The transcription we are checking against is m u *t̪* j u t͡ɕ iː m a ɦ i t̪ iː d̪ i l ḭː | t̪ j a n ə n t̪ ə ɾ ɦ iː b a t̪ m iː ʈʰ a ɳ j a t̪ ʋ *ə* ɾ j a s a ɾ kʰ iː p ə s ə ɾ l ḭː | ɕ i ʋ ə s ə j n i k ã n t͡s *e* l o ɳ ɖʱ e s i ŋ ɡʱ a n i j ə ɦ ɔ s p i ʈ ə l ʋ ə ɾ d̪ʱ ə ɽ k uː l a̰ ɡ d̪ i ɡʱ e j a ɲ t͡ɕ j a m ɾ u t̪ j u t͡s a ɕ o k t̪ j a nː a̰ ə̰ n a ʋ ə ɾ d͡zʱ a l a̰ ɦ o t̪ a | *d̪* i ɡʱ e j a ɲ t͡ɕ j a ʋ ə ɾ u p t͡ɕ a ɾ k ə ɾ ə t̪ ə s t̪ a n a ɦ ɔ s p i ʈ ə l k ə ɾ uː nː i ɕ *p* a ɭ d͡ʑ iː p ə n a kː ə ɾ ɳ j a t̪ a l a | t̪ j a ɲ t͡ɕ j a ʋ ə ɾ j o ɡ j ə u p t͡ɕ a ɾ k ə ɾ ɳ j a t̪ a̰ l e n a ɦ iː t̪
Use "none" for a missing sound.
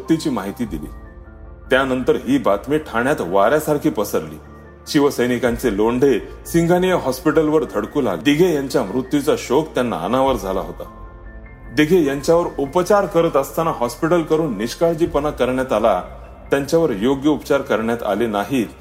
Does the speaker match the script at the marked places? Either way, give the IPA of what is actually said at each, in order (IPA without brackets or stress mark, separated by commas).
t̪, a, e, d̪, k